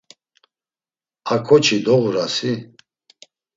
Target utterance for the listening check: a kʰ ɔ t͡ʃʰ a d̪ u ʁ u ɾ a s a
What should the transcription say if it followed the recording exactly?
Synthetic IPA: a kʰ ɔ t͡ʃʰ i d̪ ɔ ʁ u ɾ a s i

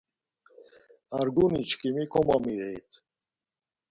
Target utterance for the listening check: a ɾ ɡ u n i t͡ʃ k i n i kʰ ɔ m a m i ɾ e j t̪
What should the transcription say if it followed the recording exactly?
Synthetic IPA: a ɾ ɡ u n i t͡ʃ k i m i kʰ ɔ m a m i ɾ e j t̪

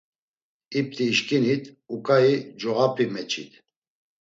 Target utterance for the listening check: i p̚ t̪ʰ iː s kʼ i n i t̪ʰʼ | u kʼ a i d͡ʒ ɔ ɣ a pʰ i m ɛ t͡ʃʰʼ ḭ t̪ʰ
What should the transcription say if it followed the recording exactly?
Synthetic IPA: i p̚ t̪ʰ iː ʃ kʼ i n i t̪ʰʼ | u kʼ a i d͡ʒ ɔ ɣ a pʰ i m ɛ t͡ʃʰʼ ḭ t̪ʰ

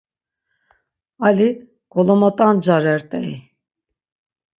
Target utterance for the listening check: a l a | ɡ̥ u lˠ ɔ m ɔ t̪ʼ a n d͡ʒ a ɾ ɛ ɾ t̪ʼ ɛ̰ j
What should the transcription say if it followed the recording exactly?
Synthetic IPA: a l i | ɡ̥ ɔ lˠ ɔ m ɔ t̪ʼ a n d͡ʒ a ɾ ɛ ɾ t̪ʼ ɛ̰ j

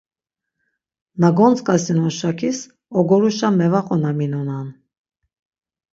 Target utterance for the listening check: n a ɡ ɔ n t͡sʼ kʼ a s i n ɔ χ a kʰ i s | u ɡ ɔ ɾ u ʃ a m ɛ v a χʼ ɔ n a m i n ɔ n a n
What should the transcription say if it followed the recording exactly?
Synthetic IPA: n a ɡ ɔ n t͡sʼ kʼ a s i n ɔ ʃ a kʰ i s | ɔ ɡ ɔ ɾ u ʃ a m ɛ v a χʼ ɔ n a m i n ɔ n a n

